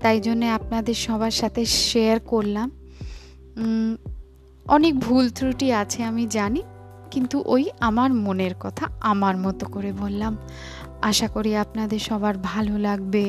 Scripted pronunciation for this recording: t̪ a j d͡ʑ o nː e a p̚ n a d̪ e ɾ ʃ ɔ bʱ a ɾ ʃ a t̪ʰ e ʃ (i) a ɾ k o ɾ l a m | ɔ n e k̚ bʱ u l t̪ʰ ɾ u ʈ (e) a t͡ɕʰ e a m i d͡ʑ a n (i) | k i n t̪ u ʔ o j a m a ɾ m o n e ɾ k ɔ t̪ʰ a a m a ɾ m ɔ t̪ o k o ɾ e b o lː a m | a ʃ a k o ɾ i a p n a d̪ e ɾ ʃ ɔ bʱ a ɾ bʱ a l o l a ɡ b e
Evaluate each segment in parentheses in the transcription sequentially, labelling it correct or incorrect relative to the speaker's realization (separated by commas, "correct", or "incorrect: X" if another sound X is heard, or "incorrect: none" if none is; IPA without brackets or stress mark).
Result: incorrect: e, incorrect: i, correct